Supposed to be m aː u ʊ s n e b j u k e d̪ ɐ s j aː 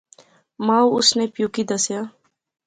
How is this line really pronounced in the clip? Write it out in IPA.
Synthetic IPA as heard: m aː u ʊ s n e p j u k i d̪ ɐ s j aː